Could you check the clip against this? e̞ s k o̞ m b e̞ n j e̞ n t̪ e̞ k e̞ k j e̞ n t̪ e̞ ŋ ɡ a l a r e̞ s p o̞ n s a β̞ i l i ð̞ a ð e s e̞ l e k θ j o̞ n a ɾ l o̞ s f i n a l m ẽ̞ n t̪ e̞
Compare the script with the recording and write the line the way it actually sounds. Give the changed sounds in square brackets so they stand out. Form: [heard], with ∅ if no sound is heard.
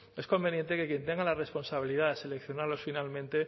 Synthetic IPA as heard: e̞ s k o̞ m b e̞ n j e̞ n t̪ e̞ k e̞ k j e̞ n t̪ e̞ ŋ ɡ a l a r e̞ s p o̞ n s a β̞ i l i ð̞ a ð e s e̞ l e k θ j o̞ n a ɾ l o̞ s f i n a l m ẽ̞ n t̪ e̞

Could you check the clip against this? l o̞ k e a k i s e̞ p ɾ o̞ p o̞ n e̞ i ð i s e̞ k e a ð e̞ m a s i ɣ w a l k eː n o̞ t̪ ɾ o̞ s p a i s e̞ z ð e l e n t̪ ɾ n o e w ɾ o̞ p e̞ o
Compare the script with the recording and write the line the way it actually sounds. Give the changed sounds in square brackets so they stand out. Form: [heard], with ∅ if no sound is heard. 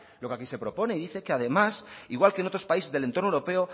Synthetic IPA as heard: l o̞ k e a k i s e̞ p ɾ o̞ p o̞ n e̞ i ð i [θ] e̞ k e a ð e̞ m a s i ɣ w a l k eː n o̞ t̪ ɾ o̞ s p a i s e̞ z ð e l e n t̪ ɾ n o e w ɾ o̞ p e̞ o

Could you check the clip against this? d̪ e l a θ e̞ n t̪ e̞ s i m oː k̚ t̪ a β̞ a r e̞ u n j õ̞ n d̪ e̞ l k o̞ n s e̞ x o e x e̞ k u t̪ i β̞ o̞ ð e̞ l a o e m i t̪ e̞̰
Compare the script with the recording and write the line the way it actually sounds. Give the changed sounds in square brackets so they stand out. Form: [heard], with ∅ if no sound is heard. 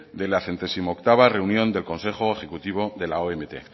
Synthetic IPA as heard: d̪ e l a θ e̞ n t̪ e̞ s i m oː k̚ t̪ a β̞ a r e̞ u n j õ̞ n d̪ e̞ l k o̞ n s e̞ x o e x e̞ k u t̪ i β̞ o̞ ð e̞ l a o e m [e] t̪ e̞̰

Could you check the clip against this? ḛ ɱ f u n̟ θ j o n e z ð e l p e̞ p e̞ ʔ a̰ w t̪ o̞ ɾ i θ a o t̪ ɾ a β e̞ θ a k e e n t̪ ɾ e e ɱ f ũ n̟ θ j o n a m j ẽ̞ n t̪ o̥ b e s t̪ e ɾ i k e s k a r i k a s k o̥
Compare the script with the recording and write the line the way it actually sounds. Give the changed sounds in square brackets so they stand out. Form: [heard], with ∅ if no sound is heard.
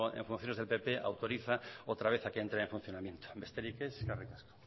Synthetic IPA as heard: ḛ ɱ f u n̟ θ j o n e z ð e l p e̞ p e̞ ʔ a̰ w t̪ o̞ ɾ i θ a o t̪ ɾ a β e̞ θ a k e e n t̪ ɾ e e ɱ f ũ n̟ θ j o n a m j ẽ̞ n t̪ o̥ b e s t̪ e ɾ i k e s k a r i k a s k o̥

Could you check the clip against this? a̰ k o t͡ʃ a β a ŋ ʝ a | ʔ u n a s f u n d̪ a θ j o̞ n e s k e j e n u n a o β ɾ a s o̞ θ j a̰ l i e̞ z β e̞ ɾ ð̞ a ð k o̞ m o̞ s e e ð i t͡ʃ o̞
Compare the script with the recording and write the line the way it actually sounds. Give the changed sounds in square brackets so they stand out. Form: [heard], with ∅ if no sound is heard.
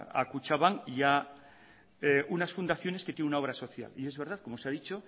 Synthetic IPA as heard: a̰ k [u] t͡ʃ a β a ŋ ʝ a | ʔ u n a s f u n d̪ a θ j o̞ n e s k e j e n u n a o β ɾ a s o̞ θ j a̰ l i e̞ z β e̞ ɾ ð̞ a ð k o̞ m o̞ s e [a] ð i t͡ʃ o̞

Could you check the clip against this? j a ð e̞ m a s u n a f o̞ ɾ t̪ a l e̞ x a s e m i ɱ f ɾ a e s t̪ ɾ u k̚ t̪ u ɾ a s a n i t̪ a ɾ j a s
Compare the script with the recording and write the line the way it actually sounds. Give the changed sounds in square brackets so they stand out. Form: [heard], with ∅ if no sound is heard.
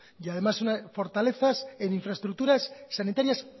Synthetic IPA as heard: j a ð e̞ m a s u n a f o̞ ɾ t̪ a l e̞ [θ] a s e [n] i ɱ f ɾ a e s t̪ ɾ u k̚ t̪ u ɾ a [sː] a n i t̪ a ɾ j a s

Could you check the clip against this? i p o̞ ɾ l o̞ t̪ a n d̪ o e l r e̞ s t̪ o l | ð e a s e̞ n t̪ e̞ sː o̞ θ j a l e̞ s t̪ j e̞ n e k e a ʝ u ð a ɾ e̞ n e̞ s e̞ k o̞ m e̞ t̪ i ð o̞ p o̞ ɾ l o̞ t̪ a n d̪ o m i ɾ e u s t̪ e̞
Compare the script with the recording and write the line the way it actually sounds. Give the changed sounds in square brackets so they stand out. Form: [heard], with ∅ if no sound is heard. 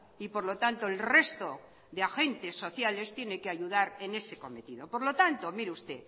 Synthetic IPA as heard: i p o̞ ɾ l o̞ t̪ a n [t̪] o e l r e̞ s t̪ o [∅] | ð e a [x] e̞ n t̪ e̞ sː o̞ θ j a l e̞ s t̪ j e̞ n e k e a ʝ u ð a ɾ e̞ n e̞ s e̞ k o̞ m e̞ t̪ i ð o̞ p o̞ ɾ l o̞ t̪ a n [t̪] o m i ɾ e u s t̪ e̞

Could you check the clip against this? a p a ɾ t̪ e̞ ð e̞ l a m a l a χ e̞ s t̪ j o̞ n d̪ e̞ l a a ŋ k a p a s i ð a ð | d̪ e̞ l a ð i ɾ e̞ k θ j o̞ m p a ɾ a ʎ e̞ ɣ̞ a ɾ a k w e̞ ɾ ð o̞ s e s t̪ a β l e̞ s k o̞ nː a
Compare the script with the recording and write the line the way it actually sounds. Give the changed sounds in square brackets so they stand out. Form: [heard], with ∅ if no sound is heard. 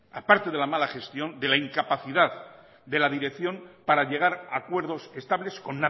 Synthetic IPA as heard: a p a ɾ t̪ e̞ ð e̞ l a m a l a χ e̞ s t̪ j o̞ n d̪ e̞ l a [i] ŋ k a p a [θ] i ð a ð | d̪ e̞ l a ð i ɾ e̞ k θ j o̞ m p a ɾ a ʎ e̞ ɣ̞ a ɾ a k w e̞ ɾ ð o̞ s e s t̪ a β l e̞ s k o̞ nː a

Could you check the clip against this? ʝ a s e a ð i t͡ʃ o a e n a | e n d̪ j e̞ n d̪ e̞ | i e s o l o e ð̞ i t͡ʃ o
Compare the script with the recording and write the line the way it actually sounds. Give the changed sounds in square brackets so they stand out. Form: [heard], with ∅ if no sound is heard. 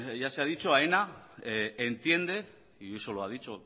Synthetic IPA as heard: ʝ a s e a ð i t͡ʃ o a e n a | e n [t̪] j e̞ n d̪ e̞ | i e s o l o [a] ð̞ i t͡ʃ o

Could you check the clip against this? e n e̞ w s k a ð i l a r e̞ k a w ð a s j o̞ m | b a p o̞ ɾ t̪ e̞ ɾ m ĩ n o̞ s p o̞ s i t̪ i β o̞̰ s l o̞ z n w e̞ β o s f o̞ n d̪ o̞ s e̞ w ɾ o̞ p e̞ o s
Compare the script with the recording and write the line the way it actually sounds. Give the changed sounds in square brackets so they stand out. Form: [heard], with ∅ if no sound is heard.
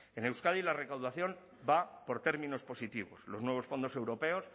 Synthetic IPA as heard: e n e̞ w s k a ð i l a r e̞ k a w ð a [θ] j o̞ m | b a p o̞ ɾ t̪ e̞ ɾ m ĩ n o̞ s p o̞ s i t̪ i β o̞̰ s l o̞ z n w e̞ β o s f o̞ n d̪ o̞ s e̞ w ɾ o̞ p e̞ o s

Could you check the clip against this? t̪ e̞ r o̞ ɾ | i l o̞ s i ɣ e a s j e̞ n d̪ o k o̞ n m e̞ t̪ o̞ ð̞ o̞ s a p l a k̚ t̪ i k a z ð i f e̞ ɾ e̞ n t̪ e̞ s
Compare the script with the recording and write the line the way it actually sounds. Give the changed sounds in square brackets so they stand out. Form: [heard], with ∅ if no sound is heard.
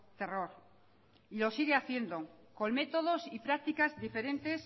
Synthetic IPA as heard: t̪ e̞ r o̞ ɾ | i l o̞ s i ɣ e a [θ] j e̞ n d̪ o k o̞ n m e̞ t̪ o̞ ð̞ o̞ s [i] p [ɾ] a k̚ t̪ i k a z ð i f e̞ ɾ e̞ n t̪ e̞ s

